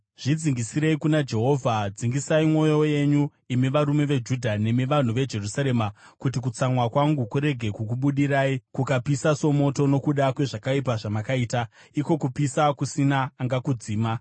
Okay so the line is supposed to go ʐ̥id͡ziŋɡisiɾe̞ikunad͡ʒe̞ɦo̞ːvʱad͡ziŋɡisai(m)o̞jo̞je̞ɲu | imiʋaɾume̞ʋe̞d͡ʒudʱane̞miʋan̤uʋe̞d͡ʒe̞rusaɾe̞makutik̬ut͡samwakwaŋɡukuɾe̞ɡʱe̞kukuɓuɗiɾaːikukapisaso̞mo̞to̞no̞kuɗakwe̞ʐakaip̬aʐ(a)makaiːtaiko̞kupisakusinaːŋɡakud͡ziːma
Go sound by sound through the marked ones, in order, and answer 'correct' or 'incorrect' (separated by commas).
correct, correct